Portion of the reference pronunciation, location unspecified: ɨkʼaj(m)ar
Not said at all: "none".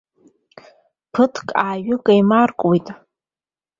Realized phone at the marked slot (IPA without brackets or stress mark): m